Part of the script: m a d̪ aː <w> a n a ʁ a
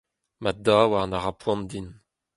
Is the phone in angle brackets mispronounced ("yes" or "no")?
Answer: no